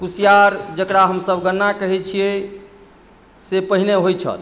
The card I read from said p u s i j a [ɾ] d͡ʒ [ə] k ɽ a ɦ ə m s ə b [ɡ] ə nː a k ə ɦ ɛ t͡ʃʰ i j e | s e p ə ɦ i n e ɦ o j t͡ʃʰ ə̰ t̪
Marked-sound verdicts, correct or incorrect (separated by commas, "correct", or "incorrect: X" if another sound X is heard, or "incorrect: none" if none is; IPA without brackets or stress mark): correct, correct, correct